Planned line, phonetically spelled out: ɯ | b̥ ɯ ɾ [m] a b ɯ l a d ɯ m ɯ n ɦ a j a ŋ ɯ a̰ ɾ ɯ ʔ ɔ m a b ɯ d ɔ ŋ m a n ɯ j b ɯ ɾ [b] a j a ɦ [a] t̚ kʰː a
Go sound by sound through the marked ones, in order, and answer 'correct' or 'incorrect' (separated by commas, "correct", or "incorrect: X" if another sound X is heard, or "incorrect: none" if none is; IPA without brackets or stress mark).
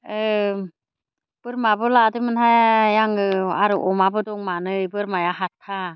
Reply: correct, incorrect: m, correct